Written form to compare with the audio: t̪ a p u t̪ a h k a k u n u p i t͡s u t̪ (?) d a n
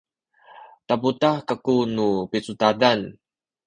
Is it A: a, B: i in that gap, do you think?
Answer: A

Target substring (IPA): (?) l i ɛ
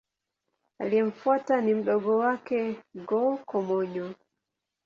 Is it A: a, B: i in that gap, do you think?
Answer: A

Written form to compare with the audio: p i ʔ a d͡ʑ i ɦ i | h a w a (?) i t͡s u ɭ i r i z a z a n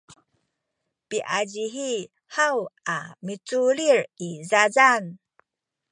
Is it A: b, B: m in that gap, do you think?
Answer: B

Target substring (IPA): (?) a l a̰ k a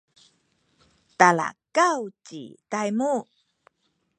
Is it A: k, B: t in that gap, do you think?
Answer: B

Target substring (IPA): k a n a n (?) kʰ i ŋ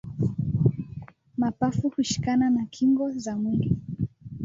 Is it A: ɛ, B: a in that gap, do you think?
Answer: B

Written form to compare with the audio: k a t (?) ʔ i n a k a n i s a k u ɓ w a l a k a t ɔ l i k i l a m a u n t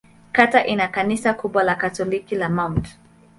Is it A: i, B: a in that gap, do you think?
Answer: B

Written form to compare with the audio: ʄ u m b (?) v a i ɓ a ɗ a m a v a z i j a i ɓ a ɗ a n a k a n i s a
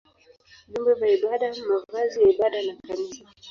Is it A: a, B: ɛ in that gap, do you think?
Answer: B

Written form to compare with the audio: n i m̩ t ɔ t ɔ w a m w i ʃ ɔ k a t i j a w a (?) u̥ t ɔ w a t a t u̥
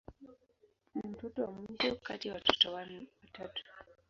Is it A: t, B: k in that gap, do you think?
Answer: A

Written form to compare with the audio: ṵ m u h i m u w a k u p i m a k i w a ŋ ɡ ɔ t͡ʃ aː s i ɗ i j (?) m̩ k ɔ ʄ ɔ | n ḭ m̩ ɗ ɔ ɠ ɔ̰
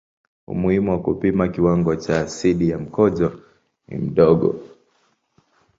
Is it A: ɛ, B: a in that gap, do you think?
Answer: B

